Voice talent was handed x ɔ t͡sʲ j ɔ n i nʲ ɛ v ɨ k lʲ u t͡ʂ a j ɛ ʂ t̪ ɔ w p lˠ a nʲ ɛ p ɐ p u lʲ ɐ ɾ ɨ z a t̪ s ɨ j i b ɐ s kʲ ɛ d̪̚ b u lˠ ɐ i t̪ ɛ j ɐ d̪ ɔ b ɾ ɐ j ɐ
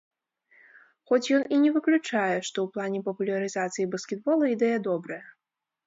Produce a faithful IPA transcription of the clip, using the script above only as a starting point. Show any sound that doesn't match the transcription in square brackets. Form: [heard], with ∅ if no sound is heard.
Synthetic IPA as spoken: x ɔ t͡sʲ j ɔ n i nʲ ɛ v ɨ k lʲ u t͡ʂ a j ɛ ʂ t̪ ɔ w p lˠ a nʲ ɛ p ɐ p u lʲ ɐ ɾ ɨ z a t̪ s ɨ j i b ɐ s kʲ ɛ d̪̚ b [ɔ] lˠ ɐ i [d̪] ɛ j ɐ d̪ ɔ b ɾ ɐ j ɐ